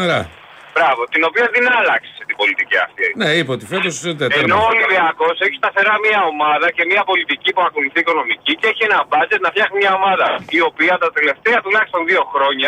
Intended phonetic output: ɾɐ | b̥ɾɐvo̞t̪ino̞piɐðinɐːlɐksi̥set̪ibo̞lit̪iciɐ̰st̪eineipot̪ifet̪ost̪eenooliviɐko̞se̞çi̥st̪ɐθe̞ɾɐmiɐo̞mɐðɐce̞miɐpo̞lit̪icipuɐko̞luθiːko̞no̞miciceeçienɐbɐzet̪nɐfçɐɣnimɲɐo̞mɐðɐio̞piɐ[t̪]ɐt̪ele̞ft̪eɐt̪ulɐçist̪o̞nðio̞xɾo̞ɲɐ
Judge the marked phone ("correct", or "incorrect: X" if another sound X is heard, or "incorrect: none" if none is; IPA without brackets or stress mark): correct